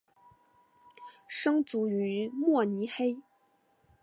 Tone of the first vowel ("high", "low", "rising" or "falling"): high